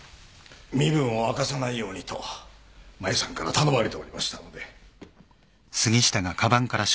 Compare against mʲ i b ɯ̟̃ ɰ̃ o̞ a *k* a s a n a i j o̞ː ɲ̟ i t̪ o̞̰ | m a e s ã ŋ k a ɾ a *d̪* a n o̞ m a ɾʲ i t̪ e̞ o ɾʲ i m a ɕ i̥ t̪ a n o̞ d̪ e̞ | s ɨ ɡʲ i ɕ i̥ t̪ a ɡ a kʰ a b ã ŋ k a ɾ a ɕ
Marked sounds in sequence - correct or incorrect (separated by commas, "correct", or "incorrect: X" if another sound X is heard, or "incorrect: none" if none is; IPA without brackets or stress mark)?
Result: correct, incorrect: t̪